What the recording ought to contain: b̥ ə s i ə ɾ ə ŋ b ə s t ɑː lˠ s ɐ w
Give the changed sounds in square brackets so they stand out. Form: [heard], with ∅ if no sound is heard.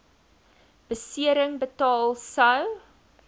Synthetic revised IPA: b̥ ə s i ə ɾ ə ŋ b ə [∅] t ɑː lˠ s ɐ w